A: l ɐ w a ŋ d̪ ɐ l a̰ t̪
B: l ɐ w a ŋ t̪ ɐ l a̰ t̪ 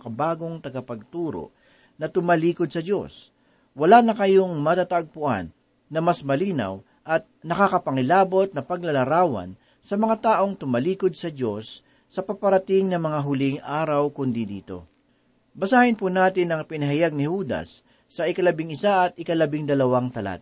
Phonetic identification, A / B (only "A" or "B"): B